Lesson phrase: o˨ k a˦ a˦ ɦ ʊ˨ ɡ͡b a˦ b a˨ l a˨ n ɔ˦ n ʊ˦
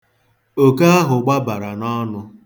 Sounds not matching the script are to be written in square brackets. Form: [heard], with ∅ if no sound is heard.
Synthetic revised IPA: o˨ k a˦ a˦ ɦ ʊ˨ ɡ͡b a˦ b a˨ [ɾ] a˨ n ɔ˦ n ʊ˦